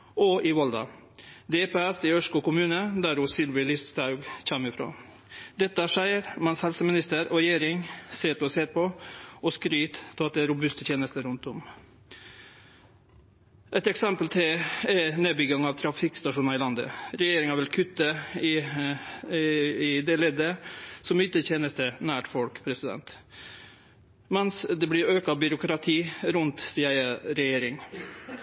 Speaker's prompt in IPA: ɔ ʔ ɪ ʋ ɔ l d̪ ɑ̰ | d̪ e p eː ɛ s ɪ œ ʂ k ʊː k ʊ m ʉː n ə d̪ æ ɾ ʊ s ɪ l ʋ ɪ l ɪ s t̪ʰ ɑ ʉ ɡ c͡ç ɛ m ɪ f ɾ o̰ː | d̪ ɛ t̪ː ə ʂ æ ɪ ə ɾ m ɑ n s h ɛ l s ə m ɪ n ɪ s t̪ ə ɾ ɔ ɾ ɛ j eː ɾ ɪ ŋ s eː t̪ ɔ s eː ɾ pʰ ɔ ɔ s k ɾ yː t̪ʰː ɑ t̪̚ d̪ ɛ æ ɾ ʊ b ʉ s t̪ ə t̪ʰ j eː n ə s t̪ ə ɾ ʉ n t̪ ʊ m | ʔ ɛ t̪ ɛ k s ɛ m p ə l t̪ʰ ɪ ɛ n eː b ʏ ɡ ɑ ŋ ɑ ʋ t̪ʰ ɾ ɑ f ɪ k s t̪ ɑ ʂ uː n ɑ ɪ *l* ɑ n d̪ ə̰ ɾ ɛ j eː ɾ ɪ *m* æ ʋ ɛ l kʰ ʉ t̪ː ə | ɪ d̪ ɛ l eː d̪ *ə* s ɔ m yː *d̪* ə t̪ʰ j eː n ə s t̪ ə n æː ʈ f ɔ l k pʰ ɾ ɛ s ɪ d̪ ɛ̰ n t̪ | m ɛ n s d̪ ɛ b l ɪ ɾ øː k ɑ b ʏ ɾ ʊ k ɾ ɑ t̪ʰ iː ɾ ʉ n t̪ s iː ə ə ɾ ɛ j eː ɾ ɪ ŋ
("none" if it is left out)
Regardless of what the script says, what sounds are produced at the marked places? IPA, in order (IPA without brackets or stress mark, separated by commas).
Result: l, ŋ, ə, t̪